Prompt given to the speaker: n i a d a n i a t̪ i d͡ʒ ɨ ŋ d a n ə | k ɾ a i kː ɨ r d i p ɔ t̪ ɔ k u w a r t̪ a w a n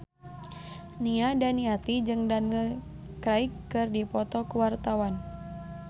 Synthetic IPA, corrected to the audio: n i a d a n i a t̪ i d͡ʒ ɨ ŋ d a n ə | k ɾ a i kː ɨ r d i p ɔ t̪ ɔ k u w a r t̪ a w a n